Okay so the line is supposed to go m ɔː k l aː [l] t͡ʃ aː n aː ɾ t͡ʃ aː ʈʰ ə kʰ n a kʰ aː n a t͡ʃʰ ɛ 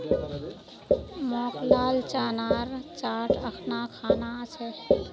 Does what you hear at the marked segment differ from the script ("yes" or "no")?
no